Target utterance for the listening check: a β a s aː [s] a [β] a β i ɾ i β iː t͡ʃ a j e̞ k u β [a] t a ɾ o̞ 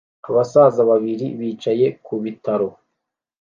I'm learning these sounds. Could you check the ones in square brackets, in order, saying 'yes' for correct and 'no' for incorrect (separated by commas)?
no, yes, no